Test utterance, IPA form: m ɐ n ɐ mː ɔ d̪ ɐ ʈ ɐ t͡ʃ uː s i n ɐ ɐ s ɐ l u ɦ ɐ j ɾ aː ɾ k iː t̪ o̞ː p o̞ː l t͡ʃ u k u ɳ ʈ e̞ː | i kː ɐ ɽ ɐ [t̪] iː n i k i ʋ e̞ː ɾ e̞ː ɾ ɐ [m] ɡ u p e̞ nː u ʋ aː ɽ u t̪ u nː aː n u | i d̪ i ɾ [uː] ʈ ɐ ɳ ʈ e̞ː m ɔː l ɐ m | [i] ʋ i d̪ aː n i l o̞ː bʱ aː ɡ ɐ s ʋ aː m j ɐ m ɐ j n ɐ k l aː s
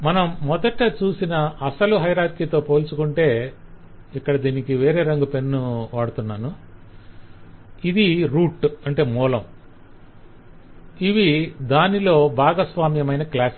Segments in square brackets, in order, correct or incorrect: incorrect, incorrect, correct, correct

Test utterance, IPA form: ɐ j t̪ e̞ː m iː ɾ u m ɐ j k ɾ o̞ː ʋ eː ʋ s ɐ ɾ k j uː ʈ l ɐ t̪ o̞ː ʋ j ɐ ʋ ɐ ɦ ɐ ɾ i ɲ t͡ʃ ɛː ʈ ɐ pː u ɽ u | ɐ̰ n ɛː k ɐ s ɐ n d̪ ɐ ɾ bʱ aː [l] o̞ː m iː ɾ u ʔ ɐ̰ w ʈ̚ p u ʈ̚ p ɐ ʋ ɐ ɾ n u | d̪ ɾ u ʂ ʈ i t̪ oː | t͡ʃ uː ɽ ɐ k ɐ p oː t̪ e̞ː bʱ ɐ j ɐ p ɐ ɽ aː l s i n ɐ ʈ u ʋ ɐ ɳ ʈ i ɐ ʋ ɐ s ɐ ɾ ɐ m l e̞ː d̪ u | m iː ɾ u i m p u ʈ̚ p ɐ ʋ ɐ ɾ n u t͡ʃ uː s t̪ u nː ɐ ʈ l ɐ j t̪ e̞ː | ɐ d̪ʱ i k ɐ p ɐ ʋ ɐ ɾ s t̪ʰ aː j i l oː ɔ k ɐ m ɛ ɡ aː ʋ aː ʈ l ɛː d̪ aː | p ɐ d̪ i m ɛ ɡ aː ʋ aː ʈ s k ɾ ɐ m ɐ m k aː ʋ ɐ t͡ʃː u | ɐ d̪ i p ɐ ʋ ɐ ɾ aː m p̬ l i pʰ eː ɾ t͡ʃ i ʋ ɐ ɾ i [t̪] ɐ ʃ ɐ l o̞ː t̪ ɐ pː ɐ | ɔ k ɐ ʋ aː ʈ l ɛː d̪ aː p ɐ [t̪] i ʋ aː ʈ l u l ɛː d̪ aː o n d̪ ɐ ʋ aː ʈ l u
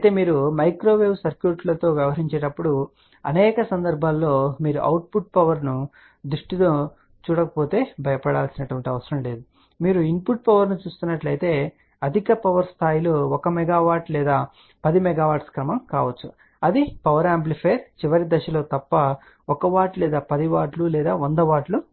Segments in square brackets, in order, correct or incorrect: incorrect, incorrect, incorrect

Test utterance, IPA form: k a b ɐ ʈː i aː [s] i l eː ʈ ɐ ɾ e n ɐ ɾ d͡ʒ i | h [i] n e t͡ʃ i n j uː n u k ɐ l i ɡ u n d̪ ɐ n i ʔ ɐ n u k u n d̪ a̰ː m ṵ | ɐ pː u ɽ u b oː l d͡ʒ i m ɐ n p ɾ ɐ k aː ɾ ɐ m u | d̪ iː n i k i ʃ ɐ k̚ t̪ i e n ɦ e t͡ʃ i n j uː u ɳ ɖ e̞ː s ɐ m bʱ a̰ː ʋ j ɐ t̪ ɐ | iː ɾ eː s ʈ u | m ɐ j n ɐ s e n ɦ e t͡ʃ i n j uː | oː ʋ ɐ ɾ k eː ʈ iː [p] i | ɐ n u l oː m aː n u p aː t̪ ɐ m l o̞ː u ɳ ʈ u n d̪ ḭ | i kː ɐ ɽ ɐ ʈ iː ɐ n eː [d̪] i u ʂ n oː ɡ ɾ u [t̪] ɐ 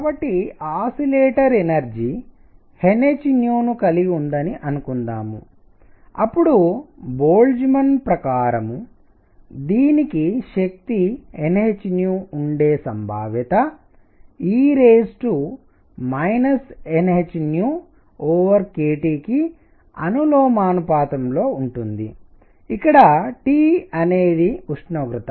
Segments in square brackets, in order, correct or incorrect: correct, incorrect, incorrect, correct, correct

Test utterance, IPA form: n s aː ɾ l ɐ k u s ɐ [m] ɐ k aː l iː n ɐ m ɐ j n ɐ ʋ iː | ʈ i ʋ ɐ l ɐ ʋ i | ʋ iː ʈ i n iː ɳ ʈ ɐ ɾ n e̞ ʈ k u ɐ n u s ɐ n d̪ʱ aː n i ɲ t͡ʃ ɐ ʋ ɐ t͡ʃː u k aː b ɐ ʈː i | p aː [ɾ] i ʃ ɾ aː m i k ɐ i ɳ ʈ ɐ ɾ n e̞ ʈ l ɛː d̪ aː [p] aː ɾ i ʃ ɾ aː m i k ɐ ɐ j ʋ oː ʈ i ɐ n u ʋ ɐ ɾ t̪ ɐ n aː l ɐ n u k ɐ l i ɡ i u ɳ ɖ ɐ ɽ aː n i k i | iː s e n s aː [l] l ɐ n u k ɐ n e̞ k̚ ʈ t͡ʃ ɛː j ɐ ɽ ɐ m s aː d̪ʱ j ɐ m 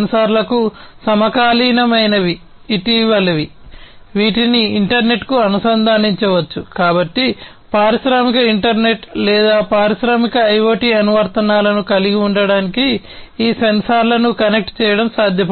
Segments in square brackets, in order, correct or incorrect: correct, correct, correct, incorrect

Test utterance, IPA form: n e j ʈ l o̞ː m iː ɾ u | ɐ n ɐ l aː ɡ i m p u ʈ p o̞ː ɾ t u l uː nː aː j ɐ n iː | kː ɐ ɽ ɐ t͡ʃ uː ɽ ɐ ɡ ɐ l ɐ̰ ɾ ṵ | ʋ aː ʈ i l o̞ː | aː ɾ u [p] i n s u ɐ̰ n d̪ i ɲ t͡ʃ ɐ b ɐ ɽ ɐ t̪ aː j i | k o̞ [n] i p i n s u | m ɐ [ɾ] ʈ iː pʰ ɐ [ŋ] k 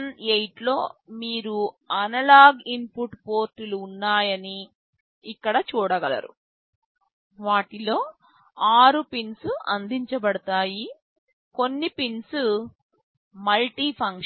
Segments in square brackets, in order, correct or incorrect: correct, incorrect, incorrect, correct

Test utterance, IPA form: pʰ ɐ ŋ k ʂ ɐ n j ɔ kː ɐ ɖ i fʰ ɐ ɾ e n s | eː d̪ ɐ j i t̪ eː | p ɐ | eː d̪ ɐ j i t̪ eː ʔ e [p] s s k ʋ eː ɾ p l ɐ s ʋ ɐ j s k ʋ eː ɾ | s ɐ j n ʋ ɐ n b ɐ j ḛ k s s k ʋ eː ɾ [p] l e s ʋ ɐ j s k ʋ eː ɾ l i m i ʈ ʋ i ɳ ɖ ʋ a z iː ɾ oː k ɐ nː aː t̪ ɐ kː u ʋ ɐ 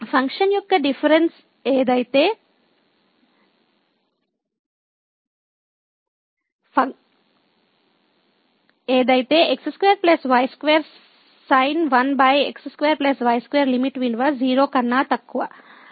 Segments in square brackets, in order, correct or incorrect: incorrect, correct

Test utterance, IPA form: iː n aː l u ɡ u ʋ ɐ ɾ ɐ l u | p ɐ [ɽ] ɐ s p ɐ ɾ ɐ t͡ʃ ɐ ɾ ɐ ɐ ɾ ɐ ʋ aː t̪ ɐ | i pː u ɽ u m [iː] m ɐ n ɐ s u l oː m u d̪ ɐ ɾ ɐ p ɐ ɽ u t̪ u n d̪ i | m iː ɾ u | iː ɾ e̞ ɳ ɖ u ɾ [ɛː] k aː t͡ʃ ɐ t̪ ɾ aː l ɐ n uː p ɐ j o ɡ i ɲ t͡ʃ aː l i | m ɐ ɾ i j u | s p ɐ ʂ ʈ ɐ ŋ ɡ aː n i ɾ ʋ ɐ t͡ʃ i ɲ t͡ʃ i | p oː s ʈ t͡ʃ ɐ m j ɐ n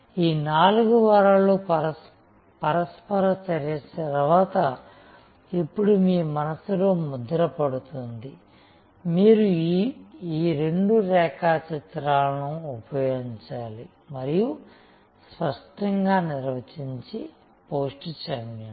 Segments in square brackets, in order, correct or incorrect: incorrect, correct, correct

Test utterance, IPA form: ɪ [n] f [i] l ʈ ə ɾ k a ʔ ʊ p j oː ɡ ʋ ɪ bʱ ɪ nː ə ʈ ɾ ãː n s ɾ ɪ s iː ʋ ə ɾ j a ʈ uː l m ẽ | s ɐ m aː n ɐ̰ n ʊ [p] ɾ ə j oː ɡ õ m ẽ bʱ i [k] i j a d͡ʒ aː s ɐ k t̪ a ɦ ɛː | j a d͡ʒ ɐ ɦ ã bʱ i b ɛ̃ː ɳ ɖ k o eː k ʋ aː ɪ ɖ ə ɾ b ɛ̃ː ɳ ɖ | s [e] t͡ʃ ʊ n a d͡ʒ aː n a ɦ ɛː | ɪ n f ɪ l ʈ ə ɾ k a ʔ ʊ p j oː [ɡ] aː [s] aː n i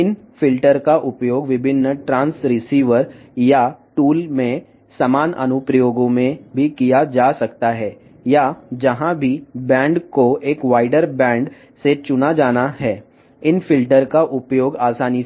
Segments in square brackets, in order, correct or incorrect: correct, incorrect, correct, correct, correct, correct, correct

